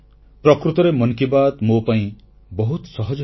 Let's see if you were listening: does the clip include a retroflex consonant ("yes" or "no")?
no